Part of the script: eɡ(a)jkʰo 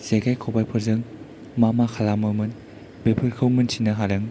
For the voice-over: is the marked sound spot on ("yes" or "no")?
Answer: yes